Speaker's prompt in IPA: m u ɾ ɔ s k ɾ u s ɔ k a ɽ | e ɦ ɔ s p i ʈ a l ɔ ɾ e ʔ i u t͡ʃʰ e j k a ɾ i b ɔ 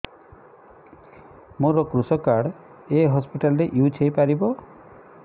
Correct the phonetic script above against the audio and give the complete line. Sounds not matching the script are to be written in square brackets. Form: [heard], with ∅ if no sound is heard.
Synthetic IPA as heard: m [o] ɾ ɔ [∅] k ɾ u s ɔ k a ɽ | e ɦ ɔ s p i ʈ a l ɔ ɾ e ʔ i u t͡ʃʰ e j [p] a ɾ i b ɔ